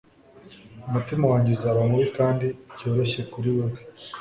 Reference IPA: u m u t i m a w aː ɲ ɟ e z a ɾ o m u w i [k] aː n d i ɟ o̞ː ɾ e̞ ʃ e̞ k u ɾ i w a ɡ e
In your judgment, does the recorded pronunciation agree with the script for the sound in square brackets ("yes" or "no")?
yes